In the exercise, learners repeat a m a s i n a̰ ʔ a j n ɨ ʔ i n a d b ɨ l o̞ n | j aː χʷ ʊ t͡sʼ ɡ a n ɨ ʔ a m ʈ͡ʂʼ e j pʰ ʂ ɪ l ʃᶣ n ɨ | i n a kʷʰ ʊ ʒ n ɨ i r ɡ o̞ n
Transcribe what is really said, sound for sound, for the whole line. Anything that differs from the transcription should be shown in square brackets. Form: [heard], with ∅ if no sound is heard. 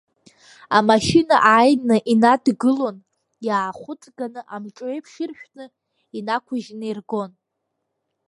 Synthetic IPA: a m a [ʃ] i n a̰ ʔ a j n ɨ ʔ i n a d [ɡ] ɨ l o̞ n | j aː χʷ ʊ t͡sʼ ɡ a n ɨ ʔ a m ʈ͡ʂʼ e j pʰ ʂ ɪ [r] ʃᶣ n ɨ | i n a kʷʰ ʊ ʒ n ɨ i r ɡ o̞ n